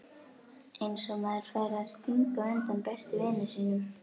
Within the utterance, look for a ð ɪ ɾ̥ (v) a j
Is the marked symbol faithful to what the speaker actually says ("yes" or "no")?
no